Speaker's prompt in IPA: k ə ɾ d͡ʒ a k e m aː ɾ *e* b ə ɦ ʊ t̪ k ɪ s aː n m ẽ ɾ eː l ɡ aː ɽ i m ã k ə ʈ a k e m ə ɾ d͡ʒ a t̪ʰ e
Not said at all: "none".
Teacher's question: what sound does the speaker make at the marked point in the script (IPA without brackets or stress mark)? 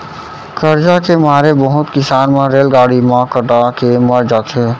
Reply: e